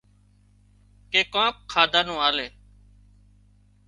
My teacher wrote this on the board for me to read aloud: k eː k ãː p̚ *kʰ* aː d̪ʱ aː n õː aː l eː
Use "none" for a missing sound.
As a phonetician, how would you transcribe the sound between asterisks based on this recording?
kʰ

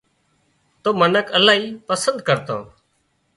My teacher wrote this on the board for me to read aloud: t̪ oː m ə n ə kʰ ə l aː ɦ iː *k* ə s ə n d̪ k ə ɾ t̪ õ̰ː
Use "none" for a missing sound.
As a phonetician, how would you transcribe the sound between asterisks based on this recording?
p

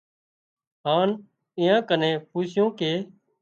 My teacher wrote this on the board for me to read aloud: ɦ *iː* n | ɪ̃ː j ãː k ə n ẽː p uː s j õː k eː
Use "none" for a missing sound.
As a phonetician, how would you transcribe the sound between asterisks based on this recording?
aː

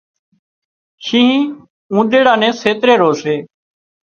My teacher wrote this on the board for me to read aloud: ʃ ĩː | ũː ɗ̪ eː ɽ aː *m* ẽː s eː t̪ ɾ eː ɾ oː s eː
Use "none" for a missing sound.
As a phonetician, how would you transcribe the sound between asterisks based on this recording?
n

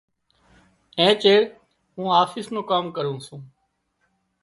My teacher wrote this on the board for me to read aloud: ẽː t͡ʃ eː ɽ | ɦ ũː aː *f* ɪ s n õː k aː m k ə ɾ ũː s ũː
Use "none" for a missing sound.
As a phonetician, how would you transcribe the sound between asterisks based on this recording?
f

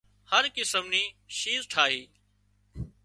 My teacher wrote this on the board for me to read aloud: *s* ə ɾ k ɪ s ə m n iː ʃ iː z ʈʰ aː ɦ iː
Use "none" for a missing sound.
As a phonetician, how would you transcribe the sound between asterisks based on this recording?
h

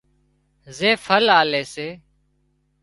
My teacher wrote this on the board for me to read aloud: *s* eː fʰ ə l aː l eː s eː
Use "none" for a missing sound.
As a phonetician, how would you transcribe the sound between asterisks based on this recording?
z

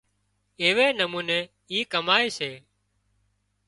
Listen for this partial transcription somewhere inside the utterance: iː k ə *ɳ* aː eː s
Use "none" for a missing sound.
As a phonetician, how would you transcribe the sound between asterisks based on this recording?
m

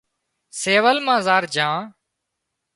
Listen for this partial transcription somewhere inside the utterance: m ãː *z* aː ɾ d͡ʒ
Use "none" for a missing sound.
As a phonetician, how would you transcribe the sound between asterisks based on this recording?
z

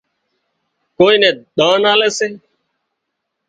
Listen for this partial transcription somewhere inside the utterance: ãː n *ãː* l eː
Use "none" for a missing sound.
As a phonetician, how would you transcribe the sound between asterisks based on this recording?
aː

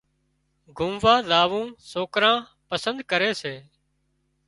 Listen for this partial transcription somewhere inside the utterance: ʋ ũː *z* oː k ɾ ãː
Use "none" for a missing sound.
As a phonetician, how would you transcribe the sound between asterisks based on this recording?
s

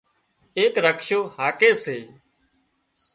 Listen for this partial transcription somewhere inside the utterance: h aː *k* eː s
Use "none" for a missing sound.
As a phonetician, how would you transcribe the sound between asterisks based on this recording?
k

